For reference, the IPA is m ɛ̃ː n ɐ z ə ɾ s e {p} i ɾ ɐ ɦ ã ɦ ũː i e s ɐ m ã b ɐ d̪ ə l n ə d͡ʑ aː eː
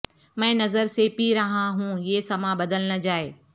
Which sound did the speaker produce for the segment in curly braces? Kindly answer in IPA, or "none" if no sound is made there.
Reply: p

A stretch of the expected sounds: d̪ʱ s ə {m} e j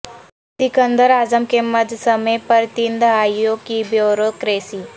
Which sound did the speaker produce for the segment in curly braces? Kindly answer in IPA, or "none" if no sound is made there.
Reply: m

